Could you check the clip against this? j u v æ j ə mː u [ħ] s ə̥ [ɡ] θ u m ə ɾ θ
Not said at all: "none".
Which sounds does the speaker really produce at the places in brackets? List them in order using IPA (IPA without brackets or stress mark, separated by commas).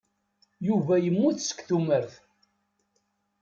θ, k